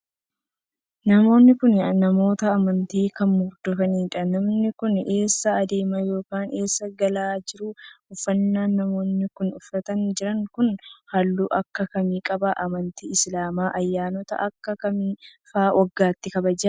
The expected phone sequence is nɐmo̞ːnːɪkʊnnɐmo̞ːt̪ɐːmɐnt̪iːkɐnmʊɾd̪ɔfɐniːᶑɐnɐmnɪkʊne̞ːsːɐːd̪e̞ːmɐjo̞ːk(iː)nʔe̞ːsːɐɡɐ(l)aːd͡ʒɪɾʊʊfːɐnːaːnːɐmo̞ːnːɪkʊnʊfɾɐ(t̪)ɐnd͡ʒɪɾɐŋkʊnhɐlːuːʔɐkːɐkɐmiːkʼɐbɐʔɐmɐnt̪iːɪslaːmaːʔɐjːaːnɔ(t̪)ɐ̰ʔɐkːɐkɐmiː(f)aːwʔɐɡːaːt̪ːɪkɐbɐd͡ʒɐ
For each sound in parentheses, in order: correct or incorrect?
incorrect, correct, correct, correct, correct

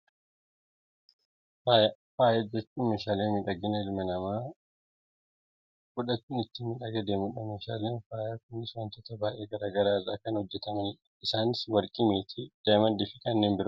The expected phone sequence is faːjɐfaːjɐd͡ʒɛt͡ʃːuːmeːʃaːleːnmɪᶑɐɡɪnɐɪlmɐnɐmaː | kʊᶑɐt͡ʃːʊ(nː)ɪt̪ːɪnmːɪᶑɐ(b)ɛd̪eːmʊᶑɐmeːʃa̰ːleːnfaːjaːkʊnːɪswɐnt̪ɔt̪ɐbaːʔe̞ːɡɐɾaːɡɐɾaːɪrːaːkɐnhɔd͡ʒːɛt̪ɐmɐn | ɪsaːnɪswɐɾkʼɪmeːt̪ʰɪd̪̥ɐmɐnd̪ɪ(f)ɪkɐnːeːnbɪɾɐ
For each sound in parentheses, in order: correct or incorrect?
incorrect, incorrect, correct

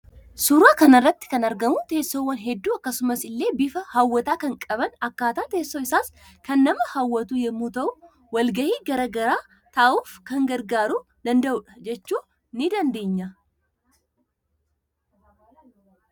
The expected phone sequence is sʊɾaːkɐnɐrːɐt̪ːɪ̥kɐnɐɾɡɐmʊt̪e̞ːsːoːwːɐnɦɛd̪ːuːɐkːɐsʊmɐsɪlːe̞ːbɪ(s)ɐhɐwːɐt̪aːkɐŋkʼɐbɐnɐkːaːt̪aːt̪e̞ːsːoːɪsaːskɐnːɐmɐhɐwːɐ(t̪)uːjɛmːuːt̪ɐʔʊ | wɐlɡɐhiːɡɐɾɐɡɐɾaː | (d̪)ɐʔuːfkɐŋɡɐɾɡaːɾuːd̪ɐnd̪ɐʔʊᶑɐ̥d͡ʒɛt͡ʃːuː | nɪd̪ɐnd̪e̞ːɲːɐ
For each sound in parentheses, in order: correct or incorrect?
incorrect, correct, incorrect

